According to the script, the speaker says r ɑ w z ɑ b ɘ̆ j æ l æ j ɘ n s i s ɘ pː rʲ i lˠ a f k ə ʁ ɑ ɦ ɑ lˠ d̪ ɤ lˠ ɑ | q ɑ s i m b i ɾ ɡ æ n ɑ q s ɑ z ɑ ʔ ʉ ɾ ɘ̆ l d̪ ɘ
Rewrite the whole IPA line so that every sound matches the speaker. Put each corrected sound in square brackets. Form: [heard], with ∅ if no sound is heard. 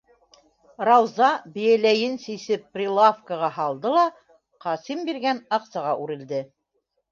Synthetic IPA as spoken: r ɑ w z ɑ b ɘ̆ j æ l æ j ɘ n s i s ɘ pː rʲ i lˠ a f k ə ʁ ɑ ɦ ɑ lˠ d̪ ɤ lˠ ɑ | q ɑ s i m b i ɾ ɡ æ n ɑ q s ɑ [ʁ] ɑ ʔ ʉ ɾ ɘ̆ l d̪ ɘ

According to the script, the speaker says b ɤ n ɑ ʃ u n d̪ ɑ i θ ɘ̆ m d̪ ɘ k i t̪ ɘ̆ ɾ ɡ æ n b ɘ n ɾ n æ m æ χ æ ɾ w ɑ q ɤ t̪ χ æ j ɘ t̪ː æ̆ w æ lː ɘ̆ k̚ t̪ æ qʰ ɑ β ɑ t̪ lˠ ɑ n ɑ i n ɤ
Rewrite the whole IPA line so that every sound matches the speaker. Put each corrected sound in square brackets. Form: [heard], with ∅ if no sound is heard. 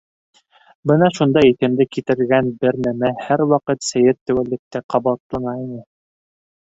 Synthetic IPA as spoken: b ɤ n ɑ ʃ u n d̪ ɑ i θ ɘ̆ m d̪ ɘ k i t̪ ɘ̆ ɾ ɡ æ n b ɘ [∅] ɾ n æ m æ [h] æ ɾ w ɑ q ɤ t̪ [s] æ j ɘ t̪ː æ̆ w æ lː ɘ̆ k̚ t̪ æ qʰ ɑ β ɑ t̪ lˠ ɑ n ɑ i n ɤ

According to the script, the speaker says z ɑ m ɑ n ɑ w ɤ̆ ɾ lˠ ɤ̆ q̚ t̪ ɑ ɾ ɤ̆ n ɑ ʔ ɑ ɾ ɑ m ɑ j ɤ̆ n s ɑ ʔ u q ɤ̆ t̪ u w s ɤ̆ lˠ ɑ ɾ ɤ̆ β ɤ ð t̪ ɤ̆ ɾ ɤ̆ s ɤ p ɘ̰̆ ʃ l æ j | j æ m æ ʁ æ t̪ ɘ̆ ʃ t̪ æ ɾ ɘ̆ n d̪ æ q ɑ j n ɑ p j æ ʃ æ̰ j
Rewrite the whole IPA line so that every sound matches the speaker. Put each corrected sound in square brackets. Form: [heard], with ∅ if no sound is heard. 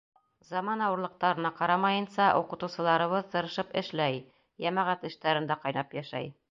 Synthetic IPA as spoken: z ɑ m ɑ n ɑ w ɤ̆ ɾ lˠ ɤ̆ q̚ t̪ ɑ ɾ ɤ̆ n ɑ [q] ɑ ɾ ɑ m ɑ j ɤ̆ n s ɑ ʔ u q ɤ̆ t̪ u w s ɤ̆ lˠ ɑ ɾ ɤ̆ β ɤ ð t̪ ɤ̆ ɾ ɤ̆ [ʃ] ɤ p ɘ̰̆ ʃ l æ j | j æ m æ ʁ æ t̪ ɘ̆ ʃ t̪ æ ɾ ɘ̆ n d̪ æ q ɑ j n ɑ p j æ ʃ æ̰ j

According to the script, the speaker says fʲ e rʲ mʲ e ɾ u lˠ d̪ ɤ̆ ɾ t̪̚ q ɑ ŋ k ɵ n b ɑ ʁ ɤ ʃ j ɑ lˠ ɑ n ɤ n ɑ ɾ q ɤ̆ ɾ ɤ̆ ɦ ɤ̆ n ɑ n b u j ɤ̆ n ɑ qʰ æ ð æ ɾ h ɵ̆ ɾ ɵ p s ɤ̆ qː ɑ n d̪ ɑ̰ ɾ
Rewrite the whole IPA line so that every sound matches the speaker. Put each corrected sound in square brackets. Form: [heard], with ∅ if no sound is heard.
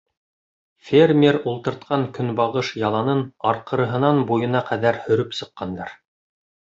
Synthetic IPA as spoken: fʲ e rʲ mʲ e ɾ u lˠ [t̪] ɤ̆ ɾ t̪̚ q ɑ ŋ k ɵ n b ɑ ʁ ɤ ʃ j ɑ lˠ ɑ n ɤ n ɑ ɾ q ɤ̆ ɾ ɤ̆ ɦ ɤ̆ n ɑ n b u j ɤ̆ n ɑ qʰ æ ð æ ɾ h ɵ̆ ɾ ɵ p s ɤ̆ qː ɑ n d̪ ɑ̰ ɾ

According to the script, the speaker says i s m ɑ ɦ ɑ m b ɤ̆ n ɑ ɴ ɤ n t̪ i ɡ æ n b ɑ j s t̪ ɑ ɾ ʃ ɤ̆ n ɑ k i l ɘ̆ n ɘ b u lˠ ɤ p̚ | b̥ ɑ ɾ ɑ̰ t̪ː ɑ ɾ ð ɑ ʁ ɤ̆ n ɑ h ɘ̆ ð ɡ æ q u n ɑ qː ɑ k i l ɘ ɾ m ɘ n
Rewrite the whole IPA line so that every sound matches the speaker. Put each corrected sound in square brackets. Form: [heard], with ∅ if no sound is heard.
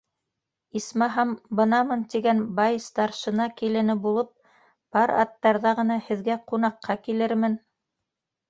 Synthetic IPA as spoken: i s m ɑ ɦ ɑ m b ɤ̆ n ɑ [m] ɤ n t̪ i ɡ æ n b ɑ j s t̪ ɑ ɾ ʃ ɤ̆ n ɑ k i l ɘ̆ n ɘ b u lˠ ɤ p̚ | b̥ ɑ ɾ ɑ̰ t̪ː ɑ ɾ ð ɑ ʁ ɤ̆ n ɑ h ɘ̆ ð ɡ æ q u n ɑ qː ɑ k i l ɘ ɾ m ɘ n

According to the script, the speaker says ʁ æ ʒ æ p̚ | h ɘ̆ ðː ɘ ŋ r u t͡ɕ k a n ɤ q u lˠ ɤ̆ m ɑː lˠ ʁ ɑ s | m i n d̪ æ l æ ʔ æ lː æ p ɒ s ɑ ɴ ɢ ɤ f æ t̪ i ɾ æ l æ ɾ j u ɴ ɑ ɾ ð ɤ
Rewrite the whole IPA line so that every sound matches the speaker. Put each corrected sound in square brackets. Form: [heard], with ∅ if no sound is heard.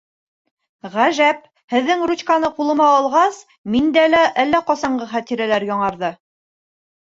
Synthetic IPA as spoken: ʁ æ ʒ æ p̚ | h ɘ̆ ðː ɘ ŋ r u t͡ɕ k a n ɤ q u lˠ ɤ̆ m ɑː lˠ ʁ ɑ s | m i n d̪ æ l æ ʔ æ lː æ [q] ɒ s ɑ ɴ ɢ ɤ [χ] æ t̪ i ɾ æ l æ ɾ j [ɒ] ɴ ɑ ɾ ð ɤ

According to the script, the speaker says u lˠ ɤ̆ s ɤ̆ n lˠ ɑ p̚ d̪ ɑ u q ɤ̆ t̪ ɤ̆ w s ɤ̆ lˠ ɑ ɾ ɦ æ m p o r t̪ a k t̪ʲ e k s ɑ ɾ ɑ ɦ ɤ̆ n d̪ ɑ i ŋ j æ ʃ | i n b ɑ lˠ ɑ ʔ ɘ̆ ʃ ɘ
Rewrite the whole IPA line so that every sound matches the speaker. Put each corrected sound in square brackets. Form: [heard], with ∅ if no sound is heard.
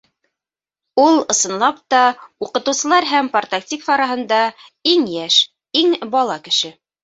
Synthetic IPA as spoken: u lˠ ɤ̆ s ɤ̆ n lˠ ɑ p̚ [t̪] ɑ u q ɤ̆ t̪ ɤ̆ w s ɤ̆ lˠ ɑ ɾ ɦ æ m p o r t̪ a k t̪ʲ [i] k [f] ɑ ɾ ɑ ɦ ɤ̆ n d̪ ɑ i ŋ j æ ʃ | i [ŋ] b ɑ lˠ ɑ [k] ɘ̆ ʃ ɘ

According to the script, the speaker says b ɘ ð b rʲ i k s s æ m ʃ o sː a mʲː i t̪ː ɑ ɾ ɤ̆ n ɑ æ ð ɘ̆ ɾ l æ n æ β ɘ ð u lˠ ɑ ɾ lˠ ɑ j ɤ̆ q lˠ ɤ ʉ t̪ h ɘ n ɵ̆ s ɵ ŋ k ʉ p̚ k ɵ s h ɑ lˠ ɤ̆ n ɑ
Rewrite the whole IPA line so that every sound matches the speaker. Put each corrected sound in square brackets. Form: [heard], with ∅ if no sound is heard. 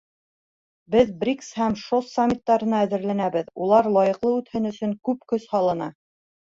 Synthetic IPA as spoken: b ɘ ð b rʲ i k s [h] æ m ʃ o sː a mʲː i t̪ː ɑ ɾ ɤ̆ n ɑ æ ð ɘ̆ ɾ l æ n æ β ɘ ð u lˠ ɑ ɾ lˠ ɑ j ɤ̆ q lˠ ɤ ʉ t̪ h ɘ n ɵ̆ s ɵ ŋ k ʉ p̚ k ɵ s h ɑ lˠ ɤ̆ n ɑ

